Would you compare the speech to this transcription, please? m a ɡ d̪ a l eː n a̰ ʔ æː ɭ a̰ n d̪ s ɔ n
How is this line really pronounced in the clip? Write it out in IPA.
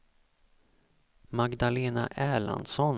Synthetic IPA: m a ɡ d̪ a l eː n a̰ ʔ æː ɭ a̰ n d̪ s ɔ n